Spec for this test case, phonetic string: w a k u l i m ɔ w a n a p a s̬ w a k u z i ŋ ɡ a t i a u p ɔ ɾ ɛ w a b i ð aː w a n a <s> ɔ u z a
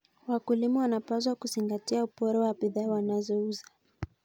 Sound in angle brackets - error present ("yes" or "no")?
yes